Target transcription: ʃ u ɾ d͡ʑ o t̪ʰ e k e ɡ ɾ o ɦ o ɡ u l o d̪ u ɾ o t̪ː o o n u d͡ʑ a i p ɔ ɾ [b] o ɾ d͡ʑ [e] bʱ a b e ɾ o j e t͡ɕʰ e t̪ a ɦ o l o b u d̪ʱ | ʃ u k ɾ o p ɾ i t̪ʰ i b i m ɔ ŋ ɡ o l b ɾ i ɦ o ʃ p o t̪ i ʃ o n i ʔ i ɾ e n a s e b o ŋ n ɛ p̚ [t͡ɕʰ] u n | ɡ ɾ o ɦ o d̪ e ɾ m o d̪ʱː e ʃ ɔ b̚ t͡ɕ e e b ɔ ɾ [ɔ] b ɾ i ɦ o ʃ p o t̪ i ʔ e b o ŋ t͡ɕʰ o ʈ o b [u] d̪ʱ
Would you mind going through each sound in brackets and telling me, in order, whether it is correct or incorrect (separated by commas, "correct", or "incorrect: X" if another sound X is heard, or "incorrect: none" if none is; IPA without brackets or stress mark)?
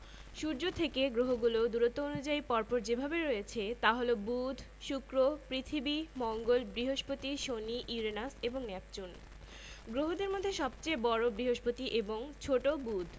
incorrect: p, correct, incorrect: t͡ɕ, incorrect: o, correct